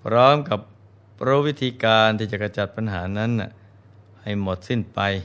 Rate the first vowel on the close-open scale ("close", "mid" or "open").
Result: mid